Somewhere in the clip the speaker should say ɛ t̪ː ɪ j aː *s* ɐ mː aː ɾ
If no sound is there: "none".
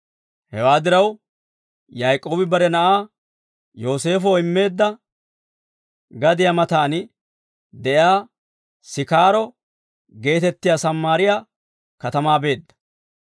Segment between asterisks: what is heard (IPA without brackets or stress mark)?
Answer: s